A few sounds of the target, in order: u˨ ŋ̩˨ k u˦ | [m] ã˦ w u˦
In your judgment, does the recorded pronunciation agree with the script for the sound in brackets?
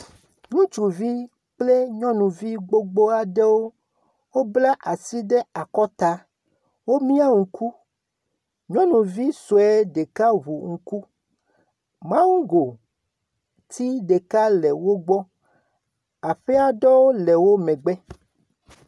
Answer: yes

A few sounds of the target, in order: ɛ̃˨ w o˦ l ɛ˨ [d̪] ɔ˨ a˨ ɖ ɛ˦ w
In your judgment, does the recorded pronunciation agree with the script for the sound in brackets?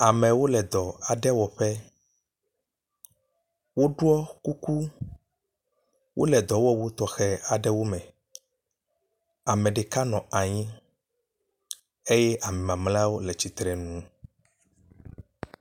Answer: yes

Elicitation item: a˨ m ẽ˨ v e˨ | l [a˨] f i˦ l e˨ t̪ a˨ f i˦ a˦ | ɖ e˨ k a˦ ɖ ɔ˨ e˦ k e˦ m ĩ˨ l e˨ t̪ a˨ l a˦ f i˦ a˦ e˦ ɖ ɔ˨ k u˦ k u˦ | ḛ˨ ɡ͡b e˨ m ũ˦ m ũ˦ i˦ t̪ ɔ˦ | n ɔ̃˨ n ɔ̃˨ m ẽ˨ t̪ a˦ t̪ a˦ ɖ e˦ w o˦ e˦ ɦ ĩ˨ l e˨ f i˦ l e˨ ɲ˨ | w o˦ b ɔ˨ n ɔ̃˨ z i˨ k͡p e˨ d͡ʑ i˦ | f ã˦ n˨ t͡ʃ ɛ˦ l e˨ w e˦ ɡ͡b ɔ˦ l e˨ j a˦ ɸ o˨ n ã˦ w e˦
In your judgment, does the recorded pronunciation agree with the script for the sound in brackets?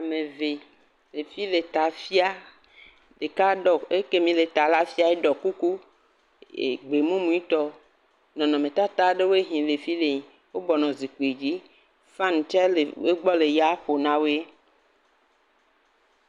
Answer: no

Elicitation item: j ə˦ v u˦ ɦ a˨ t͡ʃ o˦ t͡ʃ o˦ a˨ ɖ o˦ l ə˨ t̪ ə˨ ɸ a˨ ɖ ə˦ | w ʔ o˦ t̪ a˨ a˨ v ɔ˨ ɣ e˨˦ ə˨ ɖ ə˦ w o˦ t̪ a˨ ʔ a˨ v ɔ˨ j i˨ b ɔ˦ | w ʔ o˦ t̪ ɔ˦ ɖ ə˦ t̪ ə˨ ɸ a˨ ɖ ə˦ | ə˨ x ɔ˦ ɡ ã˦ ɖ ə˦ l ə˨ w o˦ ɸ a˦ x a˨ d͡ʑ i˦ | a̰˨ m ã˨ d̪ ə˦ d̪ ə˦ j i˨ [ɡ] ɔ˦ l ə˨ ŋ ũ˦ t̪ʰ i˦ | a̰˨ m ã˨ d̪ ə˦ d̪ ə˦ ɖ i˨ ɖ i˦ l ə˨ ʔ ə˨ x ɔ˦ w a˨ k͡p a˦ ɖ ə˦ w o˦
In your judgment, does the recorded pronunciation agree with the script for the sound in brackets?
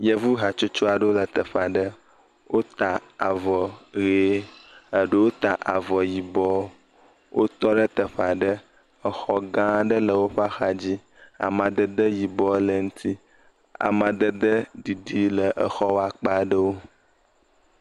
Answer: no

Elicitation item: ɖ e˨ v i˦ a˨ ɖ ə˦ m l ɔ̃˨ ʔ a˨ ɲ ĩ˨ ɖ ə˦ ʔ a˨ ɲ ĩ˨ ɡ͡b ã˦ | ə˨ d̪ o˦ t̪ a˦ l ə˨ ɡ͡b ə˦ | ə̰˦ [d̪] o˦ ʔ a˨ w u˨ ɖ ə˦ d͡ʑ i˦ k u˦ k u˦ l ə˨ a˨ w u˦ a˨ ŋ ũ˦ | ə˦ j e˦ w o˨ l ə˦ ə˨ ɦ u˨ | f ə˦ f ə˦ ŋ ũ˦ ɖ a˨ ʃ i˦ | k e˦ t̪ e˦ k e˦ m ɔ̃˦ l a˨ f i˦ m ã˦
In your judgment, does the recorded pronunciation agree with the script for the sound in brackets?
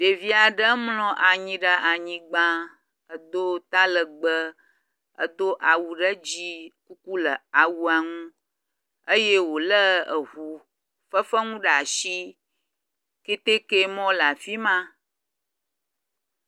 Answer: yes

